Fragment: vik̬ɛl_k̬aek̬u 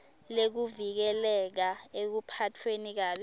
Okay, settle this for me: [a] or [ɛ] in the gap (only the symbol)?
ɛ